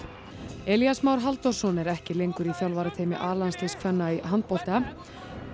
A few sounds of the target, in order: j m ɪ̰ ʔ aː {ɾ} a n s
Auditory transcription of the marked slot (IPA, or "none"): l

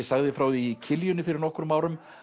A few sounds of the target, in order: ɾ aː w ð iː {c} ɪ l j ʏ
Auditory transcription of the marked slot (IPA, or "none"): cʰ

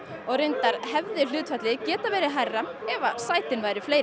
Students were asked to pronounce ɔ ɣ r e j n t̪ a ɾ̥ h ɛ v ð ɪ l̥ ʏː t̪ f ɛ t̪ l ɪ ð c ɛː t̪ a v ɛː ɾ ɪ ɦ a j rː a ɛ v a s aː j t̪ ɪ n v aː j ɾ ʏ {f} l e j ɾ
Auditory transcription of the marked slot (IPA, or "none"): f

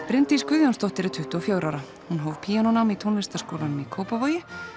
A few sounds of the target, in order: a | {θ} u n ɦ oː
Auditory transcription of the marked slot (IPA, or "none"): h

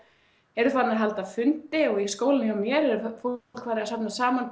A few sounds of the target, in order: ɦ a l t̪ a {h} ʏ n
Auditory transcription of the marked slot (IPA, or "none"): f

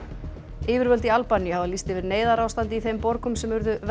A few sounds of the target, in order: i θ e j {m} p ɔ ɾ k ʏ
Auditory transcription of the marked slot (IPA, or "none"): m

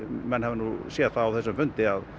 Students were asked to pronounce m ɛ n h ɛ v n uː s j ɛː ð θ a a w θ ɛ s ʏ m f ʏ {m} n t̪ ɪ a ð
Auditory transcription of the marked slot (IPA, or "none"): none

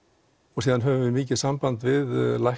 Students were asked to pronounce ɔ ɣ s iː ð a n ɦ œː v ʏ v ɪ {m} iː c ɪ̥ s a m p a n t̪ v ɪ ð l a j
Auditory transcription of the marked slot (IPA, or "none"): m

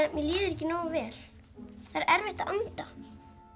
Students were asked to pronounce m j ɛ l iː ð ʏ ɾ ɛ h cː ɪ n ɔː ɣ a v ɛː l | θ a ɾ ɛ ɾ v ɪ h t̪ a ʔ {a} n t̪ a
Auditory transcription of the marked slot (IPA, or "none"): a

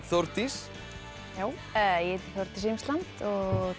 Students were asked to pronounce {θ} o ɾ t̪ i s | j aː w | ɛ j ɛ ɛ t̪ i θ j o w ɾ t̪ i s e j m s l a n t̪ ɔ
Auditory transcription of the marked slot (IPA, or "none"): θ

